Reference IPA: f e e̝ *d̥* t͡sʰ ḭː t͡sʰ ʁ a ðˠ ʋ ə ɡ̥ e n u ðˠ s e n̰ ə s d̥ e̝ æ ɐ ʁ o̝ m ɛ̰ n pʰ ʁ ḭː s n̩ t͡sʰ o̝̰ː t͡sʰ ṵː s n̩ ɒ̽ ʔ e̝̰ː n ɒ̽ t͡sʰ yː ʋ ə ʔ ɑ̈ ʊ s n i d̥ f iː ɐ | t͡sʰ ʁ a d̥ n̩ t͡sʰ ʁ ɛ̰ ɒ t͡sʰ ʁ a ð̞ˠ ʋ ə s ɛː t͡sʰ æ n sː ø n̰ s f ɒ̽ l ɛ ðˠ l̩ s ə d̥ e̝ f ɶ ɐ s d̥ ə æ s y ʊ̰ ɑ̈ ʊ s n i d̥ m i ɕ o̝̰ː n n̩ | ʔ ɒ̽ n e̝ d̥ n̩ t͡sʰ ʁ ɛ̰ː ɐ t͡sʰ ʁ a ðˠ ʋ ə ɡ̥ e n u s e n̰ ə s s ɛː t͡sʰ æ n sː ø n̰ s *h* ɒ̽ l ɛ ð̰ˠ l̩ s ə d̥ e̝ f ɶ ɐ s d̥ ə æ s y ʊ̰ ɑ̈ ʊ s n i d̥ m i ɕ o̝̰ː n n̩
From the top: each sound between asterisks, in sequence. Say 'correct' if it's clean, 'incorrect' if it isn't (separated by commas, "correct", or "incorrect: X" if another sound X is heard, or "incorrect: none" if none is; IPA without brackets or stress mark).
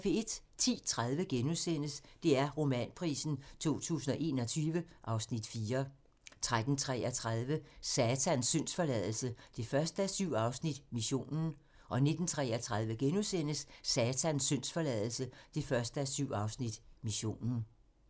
correct, incorrect: f